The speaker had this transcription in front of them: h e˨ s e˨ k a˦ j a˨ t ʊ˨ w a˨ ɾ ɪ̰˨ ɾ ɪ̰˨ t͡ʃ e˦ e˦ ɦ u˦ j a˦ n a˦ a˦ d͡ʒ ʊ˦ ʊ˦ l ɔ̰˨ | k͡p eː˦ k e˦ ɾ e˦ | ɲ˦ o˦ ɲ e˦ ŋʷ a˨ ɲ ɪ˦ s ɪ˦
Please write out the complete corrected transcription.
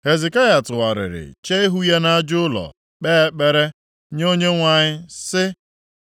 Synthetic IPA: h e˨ z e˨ k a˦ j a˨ t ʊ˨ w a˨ ɾ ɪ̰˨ ɾ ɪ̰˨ t͡ʃ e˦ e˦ ɦ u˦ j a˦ n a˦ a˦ d͡ʒ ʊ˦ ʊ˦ l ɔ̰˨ | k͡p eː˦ k͡p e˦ ɾ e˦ | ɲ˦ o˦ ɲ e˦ ŋʷ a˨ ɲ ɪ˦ s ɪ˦